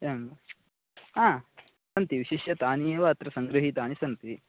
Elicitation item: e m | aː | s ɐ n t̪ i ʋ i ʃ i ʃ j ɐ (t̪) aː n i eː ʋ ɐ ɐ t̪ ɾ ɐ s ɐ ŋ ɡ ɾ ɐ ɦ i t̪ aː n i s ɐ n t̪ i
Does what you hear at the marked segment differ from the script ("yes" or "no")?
no